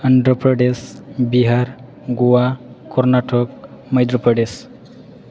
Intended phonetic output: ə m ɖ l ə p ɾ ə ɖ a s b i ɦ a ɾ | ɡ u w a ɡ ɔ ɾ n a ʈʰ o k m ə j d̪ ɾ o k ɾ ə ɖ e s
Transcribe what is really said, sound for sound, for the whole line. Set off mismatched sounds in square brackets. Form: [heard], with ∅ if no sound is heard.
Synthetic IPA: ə [ɳ] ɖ [ɾ] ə p ɾ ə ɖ [e] s b i ɦ a ɾ | ɡ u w a [k] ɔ ɾ n a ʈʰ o k m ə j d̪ ɾ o [p] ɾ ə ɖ e s